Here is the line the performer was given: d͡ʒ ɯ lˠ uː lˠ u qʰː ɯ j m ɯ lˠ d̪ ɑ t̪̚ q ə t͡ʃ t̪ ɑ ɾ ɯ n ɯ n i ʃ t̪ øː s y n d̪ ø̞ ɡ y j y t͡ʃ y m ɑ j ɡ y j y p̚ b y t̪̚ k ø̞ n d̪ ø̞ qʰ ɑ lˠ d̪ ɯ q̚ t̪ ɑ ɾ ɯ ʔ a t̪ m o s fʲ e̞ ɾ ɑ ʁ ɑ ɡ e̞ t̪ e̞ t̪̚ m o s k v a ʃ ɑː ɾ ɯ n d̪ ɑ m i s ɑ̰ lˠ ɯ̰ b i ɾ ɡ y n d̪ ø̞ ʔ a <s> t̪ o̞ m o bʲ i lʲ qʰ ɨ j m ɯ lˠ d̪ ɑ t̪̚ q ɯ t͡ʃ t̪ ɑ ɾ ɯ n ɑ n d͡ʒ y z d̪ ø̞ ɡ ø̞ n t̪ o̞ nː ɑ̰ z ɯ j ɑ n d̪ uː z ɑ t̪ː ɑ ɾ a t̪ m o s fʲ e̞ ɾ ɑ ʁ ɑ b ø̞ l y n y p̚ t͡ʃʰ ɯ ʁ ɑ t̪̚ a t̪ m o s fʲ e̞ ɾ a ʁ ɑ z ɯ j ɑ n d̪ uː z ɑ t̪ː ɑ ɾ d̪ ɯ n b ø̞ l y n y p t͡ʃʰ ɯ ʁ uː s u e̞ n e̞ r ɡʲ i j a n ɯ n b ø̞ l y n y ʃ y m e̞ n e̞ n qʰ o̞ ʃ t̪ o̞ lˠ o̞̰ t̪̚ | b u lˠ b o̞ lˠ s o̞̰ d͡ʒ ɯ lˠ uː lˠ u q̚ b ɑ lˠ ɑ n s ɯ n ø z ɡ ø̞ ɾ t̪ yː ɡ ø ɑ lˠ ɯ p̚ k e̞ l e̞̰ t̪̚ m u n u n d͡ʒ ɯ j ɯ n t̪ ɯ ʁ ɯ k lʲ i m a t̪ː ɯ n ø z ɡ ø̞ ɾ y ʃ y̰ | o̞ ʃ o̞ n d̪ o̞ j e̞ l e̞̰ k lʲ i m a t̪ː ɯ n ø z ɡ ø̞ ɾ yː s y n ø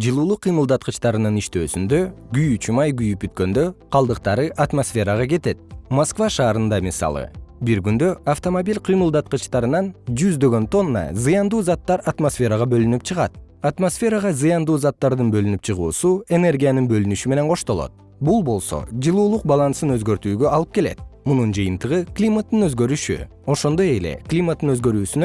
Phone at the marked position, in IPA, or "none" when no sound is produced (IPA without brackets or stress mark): f